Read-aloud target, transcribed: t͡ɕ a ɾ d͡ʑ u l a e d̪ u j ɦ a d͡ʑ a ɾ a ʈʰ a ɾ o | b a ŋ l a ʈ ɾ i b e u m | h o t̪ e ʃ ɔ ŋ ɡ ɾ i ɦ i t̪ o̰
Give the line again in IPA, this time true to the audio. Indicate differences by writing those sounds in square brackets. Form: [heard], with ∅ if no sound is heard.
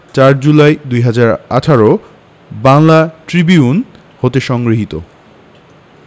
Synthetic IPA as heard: t͡ɕ a ɾ d͡ʑ u l a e d̪ u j ɦ a d͡ʑ a ɾ a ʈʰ a ɾ o | b a ŋ l a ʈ ɾ i b [i] u [n] | h o t̪ e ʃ ɔ ŋ ɡ ɾ i ɦ i t̪ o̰